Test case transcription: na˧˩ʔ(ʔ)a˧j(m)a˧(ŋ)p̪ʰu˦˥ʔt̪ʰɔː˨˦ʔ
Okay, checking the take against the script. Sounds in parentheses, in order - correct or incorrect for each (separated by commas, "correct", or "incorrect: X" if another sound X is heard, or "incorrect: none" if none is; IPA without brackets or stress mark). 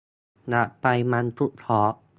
incorrect: p, correct, incorrect: n